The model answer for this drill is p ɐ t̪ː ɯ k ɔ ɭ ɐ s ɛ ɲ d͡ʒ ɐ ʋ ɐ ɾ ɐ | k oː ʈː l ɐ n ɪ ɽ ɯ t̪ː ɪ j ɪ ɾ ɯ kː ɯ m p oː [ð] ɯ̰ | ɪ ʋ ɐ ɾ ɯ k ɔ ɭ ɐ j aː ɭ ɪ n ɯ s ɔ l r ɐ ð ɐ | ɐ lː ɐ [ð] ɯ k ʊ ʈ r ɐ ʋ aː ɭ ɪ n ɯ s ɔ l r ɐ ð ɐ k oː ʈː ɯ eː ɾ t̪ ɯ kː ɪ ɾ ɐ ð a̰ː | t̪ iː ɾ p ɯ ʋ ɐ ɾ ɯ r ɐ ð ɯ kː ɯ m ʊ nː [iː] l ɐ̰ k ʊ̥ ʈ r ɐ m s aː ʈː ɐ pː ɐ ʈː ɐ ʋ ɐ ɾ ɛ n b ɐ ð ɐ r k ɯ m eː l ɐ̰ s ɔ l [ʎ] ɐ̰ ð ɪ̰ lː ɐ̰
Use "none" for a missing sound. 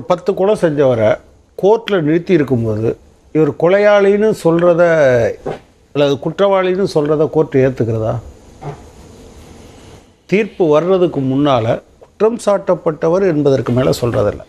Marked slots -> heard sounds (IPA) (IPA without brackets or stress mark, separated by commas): ð, ð, aː, r